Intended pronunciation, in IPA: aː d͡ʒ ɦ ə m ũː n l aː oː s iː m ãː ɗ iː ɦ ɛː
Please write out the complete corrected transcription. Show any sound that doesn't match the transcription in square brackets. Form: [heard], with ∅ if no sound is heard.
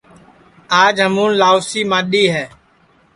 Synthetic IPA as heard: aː d͡ʒ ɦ ə m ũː n l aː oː s iː m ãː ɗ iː ɦ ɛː